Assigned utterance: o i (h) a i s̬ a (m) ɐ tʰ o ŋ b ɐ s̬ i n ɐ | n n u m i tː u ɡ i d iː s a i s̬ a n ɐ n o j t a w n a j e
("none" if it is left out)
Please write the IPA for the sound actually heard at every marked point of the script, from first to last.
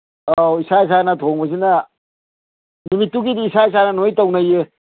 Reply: s, n

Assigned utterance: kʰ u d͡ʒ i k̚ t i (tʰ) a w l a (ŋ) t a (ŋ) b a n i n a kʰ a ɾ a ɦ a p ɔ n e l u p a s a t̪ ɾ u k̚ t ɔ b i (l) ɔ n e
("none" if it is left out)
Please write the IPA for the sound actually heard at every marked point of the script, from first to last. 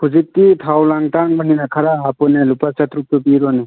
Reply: tʰ, ŋ, ŋ, ɾ

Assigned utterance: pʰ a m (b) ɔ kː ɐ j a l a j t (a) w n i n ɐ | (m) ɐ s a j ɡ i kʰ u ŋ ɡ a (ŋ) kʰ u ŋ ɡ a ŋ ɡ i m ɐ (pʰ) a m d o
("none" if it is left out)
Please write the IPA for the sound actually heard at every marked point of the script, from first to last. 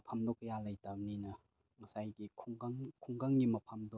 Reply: d, a, ŋ, ŋ, pʰ

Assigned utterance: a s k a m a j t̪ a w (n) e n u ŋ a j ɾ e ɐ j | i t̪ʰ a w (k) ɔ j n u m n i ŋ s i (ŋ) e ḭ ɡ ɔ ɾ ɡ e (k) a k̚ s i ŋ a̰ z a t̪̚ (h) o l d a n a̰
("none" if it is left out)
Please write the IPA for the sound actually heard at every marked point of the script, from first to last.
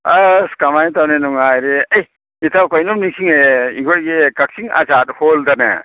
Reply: n, k, ŋ, k, h

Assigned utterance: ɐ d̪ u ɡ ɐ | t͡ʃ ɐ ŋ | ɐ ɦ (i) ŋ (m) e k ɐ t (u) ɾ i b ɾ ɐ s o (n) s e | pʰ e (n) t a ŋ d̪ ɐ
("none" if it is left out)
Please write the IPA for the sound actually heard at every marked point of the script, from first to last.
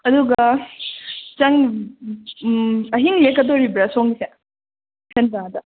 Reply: i, m, o, ŋ, n

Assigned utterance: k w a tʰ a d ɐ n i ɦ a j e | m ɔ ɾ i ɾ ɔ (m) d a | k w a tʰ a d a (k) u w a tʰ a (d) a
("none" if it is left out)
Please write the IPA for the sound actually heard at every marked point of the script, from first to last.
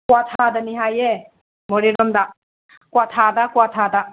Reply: m, k, d

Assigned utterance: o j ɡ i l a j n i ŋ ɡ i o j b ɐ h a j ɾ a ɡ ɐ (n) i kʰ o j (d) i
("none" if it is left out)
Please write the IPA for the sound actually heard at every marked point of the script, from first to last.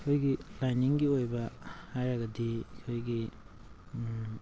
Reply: d, ɡ

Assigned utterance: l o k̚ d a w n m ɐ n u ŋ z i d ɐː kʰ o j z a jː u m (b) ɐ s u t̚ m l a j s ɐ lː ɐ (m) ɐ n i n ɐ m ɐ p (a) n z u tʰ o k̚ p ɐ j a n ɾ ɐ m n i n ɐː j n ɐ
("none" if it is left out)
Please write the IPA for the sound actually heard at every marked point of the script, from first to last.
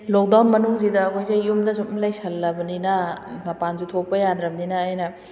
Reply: d, b, a

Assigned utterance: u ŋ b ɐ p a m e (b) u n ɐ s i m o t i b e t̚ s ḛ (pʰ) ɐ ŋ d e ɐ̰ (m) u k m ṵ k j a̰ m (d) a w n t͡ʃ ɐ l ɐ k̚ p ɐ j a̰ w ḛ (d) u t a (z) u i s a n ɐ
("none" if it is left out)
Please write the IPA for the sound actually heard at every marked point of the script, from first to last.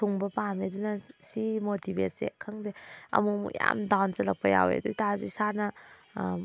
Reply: d, kʰ, m, d, d, z

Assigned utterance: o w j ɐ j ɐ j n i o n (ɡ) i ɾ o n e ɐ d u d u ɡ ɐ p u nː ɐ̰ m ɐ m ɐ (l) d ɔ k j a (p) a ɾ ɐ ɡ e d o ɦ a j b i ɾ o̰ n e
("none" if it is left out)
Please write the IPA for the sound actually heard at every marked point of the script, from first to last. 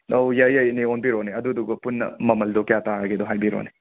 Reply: b, l, t

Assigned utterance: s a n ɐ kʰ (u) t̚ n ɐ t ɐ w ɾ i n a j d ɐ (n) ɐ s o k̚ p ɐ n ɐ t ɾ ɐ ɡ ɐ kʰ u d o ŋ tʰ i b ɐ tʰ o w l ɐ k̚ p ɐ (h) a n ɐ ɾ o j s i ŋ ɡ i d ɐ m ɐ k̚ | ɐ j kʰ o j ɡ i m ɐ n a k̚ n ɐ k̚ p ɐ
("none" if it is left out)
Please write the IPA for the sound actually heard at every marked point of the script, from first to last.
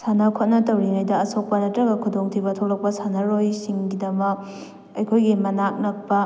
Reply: o, none, s

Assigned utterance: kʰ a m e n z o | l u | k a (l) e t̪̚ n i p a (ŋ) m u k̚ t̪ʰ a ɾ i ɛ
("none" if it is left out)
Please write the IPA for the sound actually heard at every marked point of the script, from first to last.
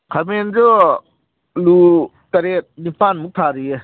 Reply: ɾ, n

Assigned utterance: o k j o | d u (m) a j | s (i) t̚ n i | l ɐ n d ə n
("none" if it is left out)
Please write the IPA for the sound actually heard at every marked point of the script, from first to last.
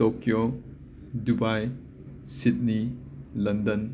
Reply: b, i

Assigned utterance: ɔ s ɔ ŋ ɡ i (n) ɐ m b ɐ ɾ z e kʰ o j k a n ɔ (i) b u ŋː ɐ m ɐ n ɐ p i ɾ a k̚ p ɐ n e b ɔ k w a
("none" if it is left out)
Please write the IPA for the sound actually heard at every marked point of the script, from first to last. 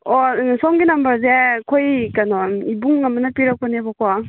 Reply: n, i

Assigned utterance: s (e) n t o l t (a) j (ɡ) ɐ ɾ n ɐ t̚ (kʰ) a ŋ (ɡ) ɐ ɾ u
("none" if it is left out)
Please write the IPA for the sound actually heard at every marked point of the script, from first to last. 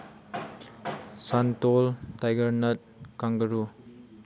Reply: a, a, ɡ, k, ɡ

